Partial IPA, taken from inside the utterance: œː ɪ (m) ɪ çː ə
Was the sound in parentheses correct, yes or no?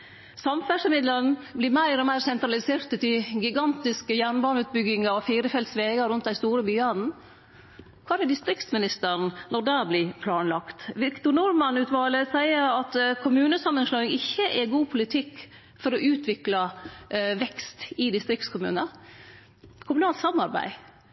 no